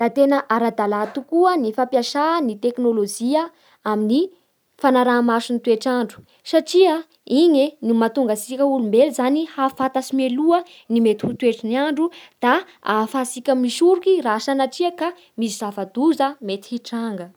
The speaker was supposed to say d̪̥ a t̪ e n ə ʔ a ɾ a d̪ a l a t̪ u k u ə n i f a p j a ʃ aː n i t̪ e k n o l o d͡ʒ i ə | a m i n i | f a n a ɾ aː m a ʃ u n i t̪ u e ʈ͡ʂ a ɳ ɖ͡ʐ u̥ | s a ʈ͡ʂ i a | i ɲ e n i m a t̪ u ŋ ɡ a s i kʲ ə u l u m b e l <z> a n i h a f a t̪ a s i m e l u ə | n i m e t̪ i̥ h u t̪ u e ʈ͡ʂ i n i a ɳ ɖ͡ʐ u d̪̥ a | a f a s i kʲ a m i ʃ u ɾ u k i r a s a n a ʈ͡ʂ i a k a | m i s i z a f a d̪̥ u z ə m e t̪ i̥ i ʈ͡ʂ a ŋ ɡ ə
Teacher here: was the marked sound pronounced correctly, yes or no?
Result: yes